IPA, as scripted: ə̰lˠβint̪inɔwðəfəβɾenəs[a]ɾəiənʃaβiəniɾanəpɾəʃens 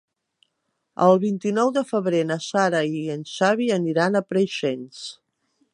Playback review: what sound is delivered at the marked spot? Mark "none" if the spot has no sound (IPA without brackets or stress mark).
a